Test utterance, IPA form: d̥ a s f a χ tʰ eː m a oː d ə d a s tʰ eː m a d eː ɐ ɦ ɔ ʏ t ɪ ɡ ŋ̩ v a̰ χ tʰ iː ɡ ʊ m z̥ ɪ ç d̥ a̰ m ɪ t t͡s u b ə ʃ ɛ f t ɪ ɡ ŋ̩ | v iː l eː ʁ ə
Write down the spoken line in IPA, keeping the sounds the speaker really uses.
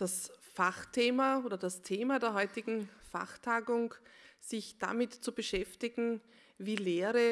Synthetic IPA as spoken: d̥ a s f a χ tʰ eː m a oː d ɐ d a s tʰ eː m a d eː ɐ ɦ ɔ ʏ t ɪ ɡ ŋ̩ f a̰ χ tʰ aː ɡ ʊ ŋ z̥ ɪ ç d̥ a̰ m ɪ t t͡s u b ə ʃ ɛ f t ɪ ɡ ŋ̩ | v iː l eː ʁ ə